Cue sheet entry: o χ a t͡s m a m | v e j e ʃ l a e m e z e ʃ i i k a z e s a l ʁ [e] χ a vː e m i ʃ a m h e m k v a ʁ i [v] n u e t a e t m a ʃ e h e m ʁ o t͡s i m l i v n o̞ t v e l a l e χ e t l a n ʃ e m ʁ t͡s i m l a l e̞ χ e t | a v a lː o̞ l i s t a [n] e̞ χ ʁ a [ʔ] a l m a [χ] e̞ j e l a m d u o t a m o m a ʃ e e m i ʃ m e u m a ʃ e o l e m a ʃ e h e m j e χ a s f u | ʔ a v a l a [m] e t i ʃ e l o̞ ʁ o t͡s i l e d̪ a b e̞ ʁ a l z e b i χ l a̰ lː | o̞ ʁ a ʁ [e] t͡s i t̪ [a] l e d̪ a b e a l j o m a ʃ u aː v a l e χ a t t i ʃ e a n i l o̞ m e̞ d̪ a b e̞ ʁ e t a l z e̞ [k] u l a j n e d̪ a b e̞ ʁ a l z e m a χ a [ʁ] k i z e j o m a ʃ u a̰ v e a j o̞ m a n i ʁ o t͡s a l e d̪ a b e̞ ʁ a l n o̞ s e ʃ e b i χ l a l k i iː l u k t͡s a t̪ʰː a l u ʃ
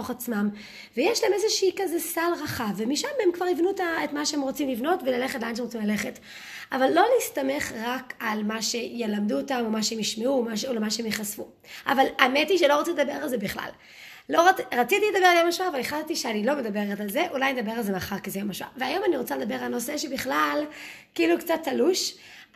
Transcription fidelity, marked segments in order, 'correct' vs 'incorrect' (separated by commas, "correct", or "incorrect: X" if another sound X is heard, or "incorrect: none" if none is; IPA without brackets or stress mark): incorrect: a, correct, incorrect: m, incorrect: k, incorrect: ʃ, correct, incorrect: a, incorrect: i, incorrect: ʔ, correct